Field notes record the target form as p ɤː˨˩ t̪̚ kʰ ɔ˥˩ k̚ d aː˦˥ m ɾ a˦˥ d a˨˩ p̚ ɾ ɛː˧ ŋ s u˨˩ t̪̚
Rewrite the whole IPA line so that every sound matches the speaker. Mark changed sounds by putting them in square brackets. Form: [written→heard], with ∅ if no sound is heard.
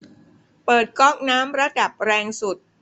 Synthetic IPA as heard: p ɤː˨˩ t̪̚ [kʰ→k] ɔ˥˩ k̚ [d→n] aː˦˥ m ɾ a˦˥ d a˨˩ p̚ ɾ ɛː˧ ŋ s u˨˩ t̪̚